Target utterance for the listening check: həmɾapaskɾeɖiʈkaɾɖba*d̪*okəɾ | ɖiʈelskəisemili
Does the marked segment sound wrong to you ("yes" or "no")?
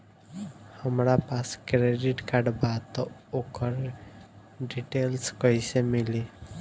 yes